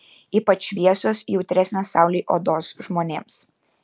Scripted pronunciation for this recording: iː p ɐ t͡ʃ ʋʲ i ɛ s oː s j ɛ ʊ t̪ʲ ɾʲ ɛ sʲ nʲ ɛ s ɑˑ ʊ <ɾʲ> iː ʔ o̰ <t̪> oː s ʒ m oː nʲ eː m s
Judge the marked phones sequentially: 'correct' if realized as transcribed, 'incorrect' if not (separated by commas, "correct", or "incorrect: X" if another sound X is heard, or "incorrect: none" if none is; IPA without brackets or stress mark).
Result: incorrect: lʲ, incorrect: d̪